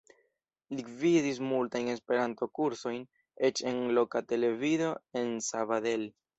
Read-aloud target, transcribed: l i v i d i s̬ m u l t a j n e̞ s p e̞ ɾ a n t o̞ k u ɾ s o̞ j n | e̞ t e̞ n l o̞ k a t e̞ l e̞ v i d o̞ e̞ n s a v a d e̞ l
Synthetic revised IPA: l i v i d i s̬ m u l t a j n e̞ s p e̞ ɾ a n t o̞ k u ɾ s o̞ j n | e̞ t͡ʃ e̞ n l o̞ k a t e̞ l e̞ v i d o̞ e̞ n s a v a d e̞ l